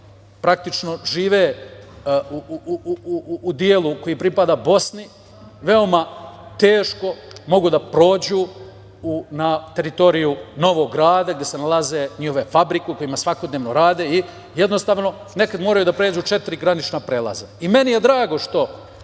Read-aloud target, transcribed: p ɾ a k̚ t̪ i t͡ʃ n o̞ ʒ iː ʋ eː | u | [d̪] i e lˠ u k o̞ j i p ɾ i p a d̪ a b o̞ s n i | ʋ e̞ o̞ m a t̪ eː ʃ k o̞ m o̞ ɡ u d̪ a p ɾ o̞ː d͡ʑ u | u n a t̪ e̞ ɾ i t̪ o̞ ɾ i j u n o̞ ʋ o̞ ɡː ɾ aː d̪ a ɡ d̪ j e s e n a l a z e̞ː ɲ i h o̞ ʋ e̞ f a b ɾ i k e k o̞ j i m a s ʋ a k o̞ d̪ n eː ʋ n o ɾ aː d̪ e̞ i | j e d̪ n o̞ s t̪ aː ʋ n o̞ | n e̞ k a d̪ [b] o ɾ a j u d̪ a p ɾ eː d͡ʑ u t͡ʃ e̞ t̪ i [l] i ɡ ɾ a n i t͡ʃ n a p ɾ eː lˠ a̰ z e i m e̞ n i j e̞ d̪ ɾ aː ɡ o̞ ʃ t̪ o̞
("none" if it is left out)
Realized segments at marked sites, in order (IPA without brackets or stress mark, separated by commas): d̪, m, ɾ